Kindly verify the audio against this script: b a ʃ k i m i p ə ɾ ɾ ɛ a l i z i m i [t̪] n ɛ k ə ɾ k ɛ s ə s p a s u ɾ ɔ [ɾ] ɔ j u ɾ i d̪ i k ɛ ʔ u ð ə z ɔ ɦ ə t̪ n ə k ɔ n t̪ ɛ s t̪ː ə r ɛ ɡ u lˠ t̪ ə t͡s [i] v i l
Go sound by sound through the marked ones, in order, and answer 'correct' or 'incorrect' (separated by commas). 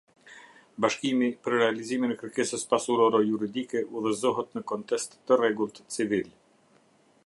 incorrect, correct, correct